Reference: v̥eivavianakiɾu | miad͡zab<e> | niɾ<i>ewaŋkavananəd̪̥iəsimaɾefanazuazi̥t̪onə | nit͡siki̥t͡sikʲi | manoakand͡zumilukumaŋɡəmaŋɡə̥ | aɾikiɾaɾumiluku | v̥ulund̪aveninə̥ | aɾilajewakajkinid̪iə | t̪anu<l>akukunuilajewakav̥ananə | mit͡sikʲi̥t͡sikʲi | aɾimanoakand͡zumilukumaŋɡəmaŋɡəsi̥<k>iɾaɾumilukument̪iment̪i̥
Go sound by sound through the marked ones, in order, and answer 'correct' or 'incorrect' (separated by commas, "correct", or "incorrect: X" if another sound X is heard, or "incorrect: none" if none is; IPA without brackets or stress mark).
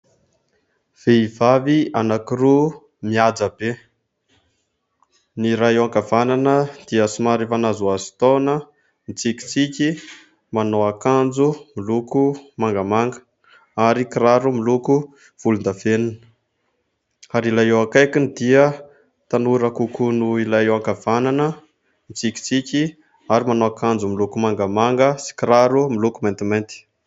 correct, incorrect: a, incorrect: ɾ, correct